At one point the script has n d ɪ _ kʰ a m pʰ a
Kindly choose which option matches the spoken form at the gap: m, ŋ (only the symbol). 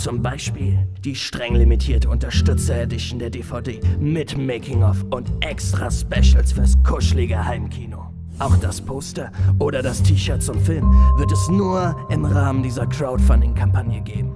ŋ